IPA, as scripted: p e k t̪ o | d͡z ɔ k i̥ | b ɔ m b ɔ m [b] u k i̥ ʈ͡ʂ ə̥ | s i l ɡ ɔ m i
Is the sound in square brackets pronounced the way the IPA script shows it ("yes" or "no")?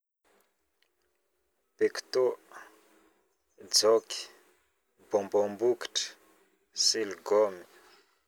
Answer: yes